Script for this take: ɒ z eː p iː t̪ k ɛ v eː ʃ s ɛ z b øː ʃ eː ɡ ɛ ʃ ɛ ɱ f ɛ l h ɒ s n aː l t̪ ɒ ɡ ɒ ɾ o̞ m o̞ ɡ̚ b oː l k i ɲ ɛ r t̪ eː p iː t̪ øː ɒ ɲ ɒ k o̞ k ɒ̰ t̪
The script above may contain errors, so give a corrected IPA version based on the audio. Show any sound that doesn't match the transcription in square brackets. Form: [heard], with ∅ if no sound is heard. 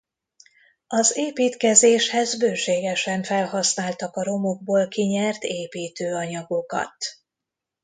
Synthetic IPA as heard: ɒ z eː p iː t̪ k ɛ [z] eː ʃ [h] ɛ z b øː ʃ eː ɡ ɛ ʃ ɛ ɱ f ɛ l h ɒ s n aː l t̪ ɒ [k] ɒ ɾ o̞ m o̞ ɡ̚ b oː l k i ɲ ɛ r t̪ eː p iː t̪ øː ɒ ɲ ɒ [ɡ] o̞ k ɒ̰ t̪